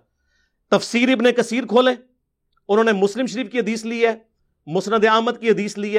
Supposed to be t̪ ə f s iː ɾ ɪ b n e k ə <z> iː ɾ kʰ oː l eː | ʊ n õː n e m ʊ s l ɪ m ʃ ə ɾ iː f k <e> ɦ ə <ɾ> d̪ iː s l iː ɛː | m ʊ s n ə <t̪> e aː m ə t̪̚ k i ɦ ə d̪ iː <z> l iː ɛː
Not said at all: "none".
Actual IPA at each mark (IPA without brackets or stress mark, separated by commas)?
s, i, none, d̪, s